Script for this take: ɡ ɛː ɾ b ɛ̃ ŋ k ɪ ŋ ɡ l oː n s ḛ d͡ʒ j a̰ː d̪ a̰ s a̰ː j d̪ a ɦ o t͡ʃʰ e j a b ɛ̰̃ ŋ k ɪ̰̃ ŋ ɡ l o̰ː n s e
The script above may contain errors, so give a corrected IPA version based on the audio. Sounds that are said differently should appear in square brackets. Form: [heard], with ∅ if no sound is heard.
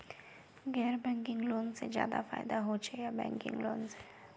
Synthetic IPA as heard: ɡ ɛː ɾ b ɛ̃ ŋ k ɪ ŋ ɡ l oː n s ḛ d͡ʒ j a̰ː d̪ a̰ [f] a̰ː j d̪ a ɦ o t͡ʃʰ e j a b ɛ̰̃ ŋ k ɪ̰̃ ŋ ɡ l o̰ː n s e